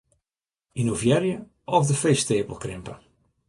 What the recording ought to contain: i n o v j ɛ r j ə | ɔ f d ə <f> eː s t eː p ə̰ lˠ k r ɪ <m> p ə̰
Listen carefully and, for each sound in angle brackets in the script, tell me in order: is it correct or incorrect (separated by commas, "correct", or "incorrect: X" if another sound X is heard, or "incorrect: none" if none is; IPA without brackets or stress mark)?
correct, correct